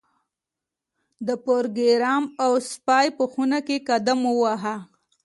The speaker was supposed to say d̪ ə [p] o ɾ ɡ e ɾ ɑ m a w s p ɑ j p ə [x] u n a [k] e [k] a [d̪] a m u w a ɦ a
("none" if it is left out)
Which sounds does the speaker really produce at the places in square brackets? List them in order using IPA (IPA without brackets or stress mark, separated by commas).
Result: p, x, k, k, d̪